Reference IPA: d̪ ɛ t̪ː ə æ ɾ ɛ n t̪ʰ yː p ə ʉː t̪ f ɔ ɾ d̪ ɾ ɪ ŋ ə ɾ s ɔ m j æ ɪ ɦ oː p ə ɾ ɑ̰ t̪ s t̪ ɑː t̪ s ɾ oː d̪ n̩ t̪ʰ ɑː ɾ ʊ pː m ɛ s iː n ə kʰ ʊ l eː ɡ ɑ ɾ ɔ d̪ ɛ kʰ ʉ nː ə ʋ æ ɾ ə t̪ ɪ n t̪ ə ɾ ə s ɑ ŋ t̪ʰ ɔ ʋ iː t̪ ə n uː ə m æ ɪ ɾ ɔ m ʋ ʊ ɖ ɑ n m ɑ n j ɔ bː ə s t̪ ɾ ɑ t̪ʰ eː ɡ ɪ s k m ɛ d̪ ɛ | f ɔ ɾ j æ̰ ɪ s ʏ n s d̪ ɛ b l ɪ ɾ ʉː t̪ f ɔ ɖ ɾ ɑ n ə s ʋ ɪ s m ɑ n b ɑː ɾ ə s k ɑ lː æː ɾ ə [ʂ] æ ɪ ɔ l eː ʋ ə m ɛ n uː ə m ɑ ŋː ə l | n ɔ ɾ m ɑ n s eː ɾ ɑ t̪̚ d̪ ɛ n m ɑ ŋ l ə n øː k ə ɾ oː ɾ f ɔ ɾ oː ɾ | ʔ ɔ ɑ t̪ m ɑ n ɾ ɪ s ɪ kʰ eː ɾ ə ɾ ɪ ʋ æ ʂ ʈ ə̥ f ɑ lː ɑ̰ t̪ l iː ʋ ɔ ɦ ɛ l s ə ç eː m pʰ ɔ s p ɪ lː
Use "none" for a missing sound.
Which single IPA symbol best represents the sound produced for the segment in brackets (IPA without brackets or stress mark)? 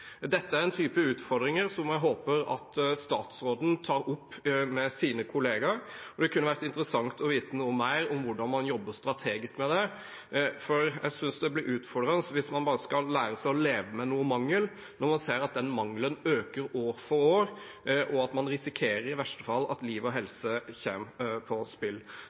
s